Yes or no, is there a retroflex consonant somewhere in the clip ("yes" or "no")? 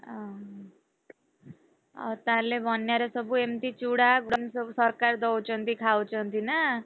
yes